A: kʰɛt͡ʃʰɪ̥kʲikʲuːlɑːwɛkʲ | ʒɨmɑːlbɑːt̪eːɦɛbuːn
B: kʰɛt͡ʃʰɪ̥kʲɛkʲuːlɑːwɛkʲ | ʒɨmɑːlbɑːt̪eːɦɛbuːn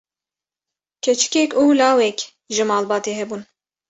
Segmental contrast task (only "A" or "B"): B